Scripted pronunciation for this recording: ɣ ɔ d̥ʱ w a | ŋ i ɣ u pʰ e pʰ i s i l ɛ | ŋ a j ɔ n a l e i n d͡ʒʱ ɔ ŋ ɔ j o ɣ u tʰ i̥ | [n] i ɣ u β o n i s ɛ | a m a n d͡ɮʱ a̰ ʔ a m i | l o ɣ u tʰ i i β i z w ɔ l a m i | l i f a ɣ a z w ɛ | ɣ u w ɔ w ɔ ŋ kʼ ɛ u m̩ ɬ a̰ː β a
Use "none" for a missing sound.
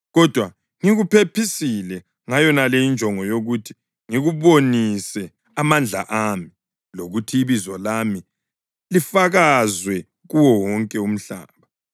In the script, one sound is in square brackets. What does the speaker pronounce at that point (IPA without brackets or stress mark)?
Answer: ŋ